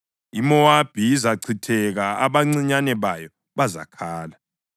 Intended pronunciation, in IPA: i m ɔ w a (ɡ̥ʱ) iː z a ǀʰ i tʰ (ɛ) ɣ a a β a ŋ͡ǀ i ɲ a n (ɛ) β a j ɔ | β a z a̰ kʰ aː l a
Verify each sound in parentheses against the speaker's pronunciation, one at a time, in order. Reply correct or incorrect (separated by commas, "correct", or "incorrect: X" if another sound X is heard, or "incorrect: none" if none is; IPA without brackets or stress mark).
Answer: incorrect: b̥ʱ, correct, correct